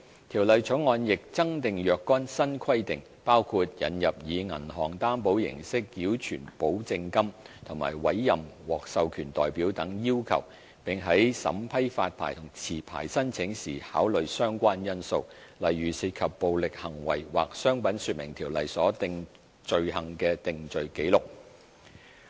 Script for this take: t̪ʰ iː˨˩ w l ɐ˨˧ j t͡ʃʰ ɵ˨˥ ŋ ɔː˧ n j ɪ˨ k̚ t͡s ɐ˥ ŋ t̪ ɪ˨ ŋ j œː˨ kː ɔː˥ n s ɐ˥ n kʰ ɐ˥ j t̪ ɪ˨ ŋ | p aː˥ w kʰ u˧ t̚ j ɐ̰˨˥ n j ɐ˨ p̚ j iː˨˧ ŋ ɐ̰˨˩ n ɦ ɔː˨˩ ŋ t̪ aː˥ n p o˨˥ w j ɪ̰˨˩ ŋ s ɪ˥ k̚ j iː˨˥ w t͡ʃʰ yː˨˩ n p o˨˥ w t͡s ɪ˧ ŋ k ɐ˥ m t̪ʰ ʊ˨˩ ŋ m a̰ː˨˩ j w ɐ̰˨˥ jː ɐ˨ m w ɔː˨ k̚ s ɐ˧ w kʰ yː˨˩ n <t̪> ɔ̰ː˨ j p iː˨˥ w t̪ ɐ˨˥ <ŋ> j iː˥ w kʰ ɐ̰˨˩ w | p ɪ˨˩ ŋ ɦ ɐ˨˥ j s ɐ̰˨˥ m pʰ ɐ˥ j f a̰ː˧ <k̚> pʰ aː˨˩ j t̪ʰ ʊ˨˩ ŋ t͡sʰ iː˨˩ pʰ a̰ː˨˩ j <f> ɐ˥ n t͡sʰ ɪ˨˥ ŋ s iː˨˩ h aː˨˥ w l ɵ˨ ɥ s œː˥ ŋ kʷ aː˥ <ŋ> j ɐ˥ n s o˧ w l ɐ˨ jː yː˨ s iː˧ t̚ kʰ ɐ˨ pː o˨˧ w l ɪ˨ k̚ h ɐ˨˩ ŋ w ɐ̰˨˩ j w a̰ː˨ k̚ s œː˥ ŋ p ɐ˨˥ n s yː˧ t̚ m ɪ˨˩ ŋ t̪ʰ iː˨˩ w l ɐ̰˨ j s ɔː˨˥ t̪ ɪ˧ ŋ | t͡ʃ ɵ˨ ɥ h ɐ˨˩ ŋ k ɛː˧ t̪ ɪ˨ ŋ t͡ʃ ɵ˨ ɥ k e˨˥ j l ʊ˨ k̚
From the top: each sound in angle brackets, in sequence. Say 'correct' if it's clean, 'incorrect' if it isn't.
correct, correct, incorrect: t̚, incorrect: s, incorrect: n

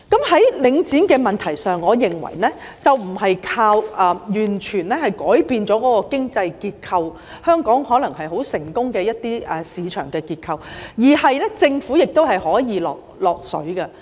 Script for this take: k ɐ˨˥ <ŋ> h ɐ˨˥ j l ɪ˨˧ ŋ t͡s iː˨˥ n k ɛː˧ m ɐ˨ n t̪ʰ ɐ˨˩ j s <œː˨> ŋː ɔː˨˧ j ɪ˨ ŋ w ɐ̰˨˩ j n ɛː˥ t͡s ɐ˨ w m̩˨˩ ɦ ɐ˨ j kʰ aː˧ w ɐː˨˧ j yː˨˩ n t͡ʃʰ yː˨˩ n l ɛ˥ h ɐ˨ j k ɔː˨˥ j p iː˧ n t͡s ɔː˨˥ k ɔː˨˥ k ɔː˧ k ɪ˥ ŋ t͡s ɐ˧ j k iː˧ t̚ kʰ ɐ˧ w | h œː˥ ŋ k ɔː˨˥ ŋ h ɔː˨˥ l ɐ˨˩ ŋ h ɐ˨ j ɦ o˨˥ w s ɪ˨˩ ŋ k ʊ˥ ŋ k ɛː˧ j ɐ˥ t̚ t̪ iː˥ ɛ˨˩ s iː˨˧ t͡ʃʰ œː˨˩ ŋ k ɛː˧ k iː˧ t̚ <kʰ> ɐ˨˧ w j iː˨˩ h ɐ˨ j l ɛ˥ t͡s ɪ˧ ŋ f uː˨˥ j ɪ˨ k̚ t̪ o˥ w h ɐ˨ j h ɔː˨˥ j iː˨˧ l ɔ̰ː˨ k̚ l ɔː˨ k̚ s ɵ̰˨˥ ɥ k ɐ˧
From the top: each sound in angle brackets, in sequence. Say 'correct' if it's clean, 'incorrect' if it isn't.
incorrect: m, correct, correct

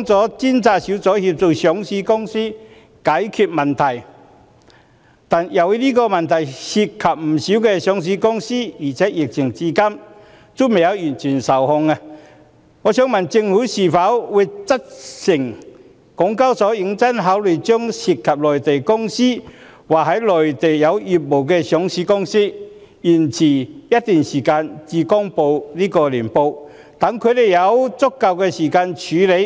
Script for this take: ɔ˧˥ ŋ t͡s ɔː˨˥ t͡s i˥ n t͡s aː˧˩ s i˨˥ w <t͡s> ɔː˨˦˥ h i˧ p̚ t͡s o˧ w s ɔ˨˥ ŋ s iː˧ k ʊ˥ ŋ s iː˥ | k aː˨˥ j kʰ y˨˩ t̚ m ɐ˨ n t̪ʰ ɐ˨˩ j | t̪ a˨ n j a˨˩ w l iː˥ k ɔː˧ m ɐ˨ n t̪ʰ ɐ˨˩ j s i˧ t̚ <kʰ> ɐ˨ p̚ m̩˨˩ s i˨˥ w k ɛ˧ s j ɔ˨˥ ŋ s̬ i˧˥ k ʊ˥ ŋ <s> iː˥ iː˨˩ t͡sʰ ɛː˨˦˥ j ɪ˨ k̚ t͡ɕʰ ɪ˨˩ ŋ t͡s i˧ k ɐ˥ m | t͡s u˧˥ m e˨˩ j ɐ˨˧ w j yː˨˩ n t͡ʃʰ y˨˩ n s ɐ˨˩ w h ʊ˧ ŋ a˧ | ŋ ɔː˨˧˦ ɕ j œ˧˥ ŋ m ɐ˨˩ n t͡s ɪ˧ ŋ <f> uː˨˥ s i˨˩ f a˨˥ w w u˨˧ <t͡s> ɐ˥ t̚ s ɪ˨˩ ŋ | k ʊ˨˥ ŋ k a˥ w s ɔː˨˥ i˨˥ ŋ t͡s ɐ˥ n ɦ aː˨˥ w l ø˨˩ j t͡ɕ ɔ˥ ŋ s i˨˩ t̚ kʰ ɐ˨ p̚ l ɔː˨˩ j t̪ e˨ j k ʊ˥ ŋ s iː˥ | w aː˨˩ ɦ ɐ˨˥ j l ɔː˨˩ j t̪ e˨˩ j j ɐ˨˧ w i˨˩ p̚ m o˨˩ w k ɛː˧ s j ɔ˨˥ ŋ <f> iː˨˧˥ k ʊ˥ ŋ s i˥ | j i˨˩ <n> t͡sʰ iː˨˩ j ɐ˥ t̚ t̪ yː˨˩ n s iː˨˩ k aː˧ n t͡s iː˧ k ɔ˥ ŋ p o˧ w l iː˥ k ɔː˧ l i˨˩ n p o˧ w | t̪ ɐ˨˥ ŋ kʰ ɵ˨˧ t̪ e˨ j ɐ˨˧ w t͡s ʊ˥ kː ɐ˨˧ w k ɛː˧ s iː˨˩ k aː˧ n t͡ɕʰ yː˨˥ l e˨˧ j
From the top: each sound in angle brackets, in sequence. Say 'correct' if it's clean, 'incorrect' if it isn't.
correct, correct, correct, incorrect: h, correct, incorrect: s, correct

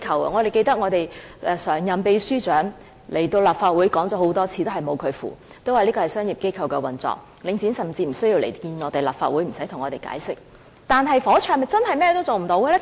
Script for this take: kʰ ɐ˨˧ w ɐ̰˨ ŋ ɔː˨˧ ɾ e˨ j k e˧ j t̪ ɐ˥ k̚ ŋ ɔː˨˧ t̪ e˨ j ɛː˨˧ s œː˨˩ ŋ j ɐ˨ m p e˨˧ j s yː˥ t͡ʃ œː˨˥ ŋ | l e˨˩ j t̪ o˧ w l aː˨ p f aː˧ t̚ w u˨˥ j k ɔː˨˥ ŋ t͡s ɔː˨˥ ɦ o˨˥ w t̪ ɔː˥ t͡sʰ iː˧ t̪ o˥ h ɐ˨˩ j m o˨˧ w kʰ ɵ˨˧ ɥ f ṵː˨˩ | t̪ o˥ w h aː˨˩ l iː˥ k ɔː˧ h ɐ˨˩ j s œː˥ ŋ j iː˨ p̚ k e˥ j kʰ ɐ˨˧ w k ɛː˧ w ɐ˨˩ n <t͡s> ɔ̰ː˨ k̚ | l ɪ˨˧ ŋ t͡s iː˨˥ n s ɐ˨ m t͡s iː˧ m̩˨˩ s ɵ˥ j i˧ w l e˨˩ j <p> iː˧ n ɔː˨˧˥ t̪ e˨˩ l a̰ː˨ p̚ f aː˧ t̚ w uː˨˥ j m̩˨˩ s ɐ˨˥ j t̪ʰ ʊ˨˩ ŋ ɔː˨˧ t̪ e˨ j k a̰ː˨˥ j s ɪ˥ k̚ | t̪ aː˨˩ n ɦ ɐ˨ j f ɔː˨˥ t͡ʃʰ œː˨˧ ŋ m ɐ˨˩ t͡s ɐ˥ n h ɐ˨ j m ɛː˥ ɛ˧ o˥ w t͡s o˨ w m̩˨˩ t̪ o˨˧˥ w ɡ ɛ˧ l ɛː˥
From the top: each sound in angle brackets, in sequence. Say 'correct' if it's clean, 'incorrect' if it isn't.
correct, incorrect: k

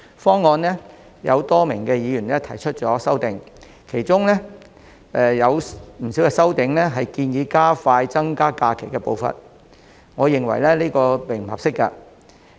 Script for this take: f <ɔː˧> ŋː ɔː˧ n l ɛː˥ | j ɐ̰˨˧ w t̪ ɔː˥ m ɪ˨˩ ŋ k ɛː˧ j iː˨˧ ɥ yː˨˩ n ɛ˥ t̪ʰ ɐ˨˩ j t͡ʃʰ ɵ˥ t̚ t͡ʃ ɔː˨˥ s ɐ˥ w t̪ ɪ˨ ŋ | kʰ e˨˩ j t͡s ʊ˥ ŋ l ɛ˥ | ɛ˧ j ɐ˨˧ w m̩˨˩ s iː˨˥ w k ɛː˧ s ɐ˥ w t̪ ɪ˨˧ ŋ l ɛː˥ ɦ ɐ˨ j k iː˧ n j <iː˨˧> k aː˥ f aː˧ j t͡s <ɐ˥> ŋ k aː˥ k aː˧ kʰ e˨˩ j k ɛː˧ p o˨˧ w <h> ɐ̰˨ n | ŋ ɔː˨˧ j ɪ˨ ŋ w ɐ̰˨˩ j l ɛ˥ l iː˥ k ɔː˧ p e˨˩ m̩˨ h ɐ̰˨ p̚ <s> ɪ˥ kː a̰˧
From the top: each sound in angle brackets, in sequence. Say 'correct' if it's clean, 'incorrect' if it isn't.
incorrect: ɔː˥, correct, correct, incorrect: f, correct

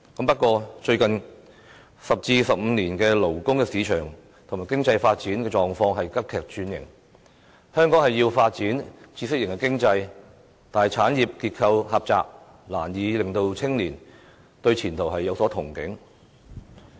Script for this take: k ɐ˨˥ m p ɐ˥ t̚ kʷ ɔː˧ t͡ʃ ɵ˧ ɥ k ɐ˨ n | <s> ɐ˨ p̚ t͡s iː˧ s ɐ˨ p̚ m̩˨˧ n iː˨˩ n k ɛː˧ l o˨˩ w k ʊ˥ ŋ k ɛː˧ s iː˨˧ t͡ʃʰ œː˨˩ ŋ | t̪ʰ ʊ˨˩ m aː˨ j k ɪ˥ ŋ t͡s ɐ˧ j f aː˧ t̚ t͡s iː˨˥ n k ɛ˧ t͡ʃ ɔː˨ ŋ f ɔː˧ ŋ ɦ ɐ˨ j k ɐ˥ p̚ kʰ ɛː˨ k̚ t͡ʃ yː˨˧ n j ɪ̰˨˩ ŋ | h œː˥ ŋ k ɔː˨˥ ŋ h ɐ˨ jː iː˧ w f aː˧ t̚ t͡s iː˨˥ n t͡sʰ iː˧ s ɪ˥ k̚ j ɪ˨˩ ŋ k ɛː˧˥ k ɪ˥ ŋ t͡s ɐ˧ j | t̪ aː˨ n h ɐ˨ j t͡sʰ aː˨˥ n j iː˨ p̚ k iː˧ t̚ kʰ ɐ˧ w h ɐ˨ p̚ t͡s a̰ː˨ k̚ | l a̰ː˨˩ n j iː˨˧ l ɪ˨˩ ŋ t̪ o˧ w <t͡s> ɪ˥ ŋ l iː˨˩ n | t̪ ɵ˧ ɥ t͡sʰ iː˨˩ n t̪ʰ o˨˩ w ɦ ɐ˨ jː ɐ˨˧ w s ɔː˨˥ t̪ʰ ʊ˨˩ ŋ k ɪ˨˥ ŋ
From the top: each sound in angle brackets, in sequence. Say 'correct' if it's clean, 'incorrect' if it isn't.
correct, incorrect: t͡sʰ

